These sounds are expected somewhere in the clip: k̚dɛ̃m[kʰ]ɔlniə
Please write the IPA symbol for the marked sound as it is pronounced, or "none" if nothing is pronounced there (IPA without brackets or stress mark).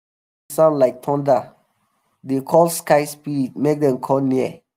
kʰ